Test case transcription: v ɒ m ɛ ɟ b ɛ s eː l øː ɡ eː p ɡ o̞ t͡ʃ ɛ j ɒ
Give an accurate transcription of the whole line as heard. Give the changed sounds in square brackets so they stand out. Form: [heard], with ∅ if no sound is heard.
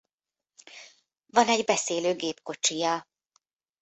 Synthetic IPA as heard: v ɒ [n] ɛ ɟ b ɛ s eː l øː ɡ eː p [k] o̞ t͡ʃ [i] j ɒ